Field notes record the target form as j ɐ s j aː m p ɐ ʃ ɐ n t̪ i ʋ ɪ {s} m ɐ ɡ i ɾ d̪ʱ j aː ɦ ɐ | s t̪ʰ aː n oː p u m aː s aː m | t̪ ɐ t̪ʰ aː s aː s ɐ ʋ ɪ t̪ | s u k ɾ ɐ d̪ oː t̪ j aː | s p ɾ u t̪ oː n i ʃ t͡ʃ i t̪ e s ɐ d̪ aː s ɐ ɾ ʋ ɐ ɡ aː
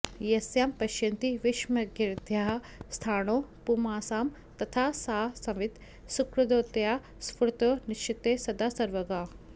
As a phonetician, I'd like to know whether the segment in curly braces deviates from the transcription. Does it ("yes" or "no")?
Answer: yes